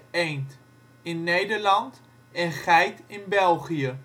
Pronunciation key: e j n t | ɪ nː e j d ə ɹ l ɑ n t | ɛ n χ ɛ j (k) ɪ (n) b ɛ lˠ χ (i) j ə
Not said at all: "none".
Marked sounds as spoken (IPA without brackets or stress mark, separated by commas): t, n, i